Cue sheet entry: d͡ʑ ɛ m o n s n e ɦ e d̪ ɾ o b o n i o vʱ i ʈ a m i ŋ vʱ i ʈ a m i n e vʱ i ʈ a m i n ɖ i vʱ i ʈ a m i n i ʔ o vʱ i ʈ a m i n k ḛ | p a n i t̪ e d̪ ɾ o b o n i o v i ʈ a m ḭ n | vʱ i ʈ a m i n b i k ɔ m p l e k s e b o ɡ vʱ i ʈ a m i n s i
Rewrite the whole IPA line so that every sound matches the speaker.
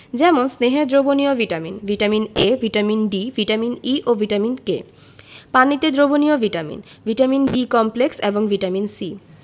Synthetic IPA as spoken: d͡ʑ ɛ m o n s n e ɦ e d̪ ɾ o b o n i o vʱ i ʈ a m i n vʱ i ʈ a m i n e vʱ i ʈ a m i n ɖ i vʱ i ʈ a m i n i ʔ o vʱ i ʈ a m i n k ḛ | p a n i t̪ e d̪ ɾ o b o n i o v i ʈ a m ḭ n | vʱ i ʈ a m i n b i k ɔ m p l e k s e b o ŋ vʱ i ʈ a m i n s i